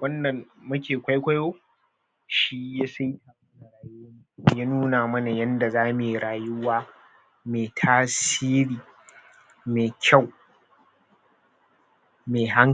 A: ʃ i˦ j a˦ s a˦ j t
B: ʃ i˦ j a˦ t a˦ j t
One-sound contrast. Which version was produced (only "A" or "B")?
A